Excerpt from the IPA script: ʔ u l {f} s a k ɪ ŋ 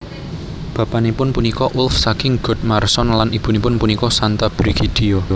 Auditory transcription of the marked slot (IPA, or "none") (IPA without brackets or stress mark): f